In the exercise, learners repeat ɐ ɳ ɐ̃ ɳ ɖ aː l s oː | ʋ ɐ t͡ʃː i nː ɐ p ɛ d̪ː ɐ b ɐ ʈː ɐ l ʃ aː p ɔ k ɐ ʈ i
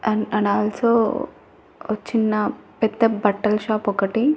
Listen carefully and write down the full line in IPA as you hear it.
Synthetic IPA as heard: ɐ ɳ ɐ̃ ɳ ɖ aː l s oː | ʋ ɐ t͡ʃː i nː ɐ p ɛ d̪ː ɐ b ɐ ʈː ɐ l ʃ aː p ɔ k ɐ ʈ i